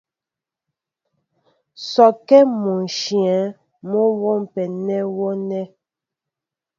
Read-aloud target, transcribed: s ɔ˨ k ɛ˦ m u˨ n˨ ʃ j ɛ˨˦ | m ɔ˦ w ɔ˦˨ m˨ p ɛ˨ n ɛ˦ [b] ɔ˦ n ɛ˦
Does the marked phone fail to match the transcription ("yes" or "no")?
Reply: yes